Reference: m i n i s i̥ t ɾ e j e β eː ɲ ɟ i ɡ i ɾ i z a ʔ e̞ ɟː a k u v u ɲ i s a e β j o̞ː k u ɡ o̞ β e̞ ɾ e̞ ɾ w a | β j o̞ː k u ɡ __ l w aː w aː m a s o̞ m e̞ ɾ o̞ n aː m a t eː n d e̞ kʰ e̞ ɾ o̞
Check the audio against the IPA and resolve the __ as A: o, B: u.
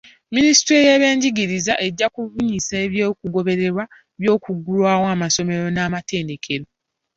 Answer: B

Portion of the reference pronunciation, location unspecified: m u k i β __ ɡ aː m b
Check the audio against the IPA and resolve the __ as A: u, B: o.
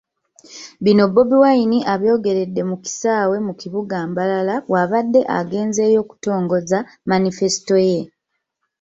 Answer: A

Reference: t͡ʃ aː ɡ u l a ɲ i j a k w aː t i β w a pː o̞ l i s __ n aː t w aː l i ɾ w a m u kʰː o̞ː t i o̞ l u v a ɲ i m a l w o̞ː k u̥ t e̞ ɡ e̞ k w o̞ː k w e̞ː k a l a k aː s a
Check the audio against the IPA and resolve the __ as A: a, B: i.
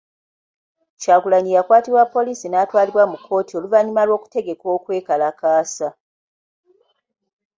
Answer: B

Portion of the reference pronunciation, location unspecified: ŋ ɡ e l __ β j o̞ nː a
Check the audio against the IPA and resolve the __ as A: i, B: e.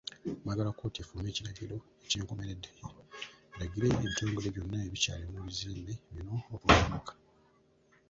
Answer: B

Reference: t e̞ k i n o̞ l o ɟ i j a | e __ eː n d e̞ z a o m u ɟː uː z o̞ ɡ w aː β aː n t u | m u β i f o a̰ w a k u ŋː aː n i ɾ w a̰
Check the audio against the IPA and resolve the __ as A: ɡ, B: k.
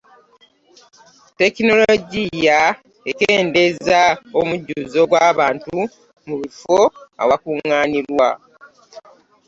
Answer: B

